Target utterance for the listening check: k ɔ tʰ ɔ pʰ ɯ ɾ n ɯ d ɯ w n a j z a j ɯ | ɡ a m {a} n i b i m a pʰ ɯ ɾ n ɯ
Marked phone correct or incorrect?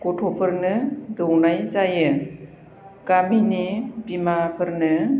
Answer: incorrect